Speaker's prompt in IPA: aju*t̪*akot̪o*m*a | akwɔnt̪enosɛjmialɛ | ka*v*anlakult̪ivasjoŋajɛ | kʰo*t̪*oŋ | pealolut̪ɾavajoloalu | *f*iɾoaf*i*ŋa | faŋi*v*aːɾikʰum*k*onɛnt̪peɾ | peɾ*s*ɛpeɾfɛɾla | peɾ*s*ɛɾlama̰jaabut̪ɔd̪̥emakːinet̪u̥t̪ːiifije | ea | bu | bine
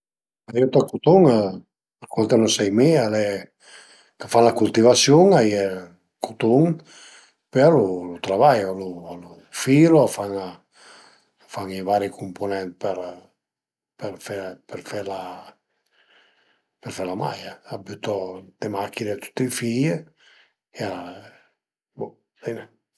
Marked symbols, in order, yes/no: yes, no, no, yes, yes, no, yes, no, no, no

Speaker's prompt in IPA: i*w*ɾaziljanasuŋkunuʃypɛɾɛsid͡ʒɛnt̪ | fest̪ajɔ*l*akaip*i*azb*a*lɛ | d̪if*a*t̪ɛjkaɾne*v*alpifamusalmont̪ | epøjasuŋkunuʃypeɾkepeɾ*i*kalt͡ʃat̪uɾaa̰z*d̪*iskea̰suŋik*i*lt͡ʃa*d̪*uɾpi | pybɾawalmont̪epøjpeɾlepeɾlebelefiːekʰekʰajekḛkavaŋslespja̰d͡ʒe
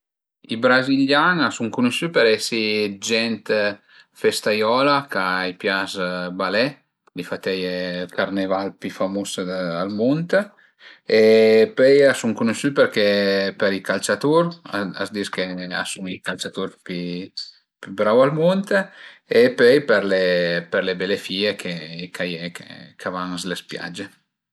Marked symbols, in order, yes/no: no, yes, no, yes, yes, yes, yes, yes, no, no

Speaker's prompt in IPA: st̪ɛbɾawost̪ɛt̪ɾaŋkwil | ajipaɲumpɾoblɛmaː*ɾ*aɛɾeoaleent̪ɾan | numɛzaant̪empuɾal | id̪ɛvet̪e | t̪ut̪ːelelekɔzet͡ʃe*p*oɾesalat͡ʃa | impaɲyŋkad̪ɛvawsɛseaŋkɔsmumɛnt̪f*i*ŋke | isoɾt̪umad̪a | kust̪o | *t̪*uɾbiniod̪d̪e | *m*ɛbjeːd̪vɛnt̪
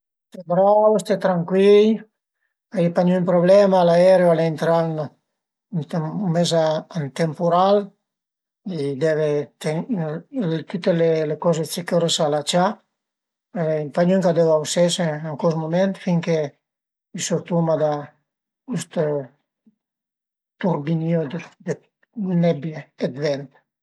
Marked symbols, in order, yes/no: no, no, yes, yes, no

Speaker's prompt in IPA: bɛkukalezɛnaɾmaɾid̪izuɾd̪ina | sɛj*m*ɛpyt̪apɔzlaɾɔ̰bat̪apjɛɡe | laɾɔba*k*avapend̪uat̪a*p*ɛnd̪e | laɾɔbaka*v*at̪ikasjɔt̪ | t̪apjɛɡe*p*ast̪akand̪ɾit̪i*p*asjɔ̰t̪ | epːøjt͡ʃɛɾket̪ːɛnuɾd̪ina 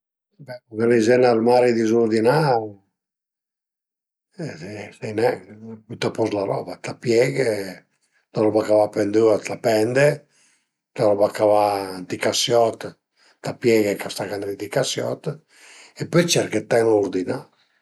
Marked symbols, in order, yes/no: no, yes, yes, yes, no, no

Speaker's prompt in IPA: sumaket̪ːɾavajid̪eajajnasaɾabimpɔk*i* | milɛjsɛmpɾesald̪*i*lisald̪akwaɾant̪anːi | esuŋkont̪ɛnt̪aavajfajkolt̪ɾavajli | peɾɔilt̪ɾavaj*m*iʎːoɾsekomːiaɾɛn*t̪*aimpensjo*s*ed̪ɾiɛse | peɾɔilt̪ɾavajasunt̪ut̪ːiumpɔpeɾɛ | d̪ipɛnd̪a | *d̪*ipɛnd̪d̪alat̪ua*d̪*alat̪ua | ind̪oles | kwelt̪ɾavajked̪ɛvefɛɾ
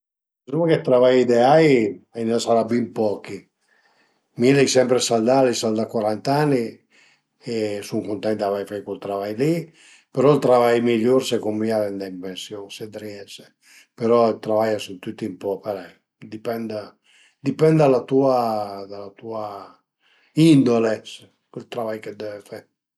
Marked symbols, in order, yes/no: yes, no, yes, no, yes, yes, yes

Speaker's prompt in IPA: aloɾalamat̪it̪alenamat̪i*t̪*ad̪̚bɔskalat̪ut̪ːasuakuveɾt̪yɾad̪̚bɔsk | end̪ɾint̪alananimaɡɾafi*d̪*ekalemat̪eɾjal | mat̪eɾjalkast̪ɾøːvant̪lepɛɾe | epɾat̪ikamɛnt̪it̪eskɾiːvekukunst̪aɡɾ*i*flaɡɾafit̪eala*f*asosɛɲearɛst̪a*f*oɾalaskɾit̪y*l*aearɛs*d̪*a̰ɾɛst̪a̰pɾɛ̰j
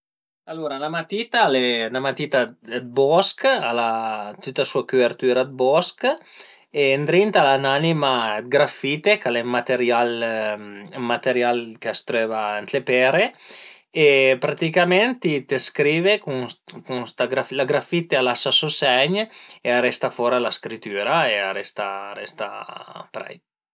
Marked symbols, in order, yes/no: yes, no, no, no, yes, no, no

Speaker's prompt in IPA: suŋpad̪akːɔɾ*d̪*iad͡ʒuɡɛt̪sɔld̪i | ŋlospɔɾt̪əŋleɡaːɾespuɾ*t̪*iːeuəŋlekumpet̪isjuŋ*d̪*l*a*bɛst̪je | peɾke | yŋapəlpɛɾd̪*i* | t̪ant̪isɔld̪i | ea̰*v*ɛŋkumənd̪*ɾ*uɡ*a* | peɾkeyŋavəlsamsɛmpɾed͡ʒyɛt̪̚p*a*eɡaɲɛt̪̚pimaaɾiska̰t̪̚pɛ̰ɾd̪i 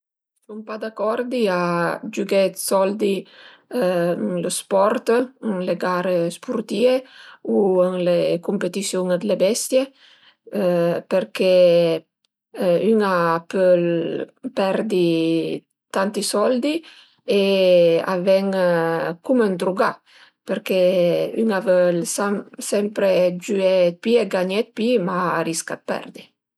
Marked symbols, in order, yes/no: yes, yes, yes, no, yes, yes, yes, yes, no

